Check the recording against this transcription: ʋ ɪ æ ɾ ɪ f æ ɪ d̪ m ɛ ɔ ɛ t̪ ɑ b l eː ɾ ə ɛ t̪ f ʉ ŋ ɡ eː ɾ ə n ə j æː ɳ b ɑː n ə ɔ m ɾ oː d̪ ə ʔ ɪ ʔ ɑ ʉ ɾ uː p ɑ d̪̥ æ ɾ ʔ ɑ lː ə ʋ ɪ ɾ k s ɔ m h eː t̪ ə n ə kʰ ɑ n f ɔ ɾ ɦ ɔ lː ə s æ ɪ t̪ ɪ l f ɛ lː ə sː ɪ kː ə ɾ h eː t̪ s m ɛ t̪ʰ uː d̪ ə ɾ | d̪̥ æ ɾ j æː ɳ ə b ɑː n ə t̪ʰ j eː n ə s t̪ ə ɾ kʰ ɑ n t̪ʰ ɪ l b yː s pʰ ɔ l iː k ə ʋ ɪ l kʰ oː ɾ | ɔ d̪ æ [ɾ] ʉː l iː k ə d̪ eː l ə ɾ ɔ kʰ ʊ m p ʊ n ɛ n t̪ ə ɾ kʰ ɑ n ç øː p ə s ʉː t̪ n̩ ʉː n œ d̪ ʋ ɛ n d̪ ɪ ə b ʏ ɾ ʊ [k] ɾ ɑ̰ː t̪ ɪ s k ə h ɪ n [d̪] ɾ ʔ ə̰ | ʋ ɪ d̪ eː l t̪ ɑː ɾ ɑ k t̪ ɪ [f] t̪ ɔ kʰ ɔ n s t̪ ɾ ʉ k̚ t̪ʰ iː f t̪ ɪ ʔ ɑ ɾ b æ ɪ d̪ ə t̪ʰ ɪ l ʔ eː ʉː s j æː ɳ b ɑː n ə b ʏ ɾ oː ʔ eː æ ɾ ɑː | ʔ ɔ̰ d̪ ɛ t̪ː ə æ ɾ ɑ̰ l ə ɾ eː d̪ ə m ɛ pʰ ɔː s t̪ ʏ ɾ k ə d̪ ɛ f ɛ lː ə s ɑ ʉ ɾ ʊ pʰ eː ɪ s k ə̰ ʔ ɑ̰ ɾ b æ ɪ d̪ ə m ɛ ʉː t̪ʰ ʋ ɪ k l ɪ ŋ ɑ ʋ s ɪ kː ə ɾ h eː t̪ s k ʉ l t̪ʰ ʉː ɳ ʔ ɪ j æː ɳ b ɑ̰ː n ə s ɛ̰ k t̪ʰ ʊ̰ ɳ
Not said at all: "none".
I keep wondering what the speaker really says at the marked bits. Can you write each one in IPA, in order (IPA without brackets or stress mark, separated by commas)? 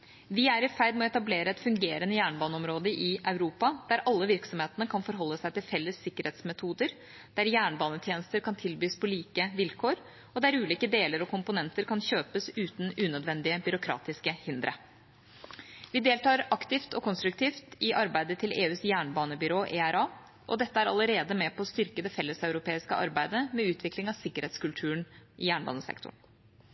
ɾ, kʰ, d̪, f